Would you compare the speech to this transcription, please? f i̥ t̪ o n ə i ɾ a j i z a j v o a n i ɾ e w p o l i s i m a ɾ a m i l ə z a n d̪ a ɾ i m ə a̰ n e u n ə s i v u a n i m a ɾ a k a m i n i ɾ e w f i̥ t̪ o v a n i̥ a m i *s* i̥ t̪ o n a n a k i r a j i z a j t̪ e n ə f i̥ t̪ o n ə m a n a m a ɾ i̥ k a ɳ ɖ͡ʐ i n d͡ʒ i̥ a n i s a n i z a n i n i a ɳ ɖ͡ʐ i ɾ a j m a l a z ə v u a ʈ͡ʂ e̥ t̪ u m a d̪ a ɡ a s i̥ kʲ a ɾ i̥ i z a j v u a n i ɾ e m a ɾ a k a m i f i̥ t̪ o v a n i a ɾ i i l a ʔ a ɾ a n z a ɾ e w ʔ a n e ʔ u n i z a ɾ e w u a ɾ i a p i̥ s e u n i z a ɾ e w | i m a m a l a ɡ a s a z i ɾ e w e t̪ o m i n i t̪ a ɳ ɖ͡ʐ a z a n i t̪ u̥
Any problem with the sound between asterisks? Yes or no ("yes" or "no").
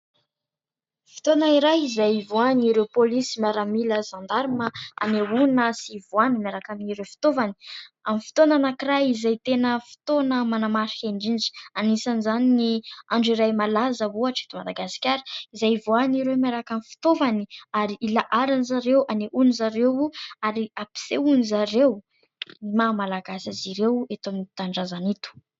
yes